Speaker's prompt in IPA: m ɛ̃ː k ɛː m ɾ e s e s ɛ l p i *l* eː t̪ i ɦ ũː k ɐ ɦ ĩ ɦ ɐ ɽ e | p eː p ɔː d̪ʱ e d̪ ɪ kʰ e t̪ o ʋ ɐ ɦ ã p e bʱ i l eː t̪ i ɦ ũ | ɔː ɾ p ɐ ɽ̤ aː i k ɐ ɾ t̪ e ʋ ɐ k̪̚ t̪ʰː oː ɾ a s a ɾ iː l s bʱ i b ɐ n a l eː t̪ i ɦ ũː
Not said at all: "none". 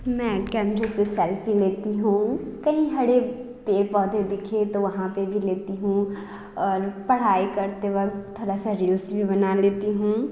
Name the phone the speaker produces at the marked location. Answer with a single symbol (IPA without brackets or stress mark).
l